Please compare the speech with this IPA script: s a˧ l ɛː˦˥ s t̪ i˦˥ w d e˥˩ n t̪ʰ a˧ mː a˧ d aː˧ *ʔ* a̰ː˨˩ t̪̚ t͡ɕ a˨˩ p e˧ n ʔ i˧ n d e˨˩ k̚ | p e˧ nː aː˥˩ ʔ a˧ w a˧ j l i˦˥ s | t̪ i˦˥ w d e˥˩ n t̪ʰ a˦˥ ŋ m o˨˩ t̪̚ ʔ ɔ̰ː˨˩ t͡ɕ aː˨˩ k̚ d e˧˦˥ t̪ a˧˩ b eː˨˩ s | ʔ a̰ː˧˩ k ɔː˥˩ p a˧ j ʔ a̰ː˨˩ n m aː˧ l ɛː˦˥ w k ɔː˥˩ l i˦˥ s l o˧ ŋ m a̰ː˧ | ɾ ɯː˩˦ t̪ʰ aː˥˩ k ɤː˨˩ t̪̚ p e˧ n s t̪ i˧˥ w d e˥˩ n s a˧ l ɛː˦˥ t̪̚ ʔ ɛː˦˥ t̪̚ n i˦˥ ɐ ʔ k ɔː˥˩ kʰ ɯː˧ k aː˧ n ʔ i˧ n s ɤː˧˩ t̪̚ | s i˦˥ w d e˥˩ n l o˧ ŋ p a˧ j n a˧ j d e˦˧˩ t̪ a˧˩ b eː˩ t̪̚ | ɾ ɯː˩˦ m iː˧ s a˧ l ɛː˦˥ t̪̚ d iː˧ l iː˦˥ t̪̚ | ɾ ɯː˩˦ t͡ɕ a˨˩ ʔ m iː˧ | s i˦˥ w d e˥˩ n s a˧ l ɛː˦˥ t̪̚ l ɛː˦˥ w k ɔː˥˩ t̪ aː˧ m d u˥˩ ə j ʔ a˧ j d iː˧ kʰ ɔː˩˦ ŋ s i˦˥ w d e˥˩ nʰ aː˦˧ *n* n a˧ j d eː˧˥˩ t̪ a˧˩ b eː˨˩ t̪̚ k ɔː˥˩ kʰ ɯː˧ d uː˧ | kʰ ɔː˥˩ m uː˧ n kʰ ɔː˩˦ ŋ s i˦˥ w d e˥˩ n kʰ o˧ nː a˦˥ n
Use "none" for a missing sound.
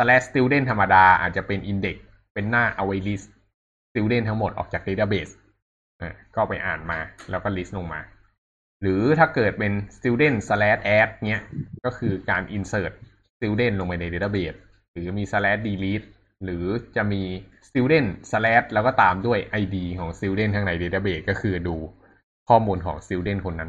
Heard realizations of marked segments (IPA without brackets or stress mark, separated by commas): ʔ, ŋ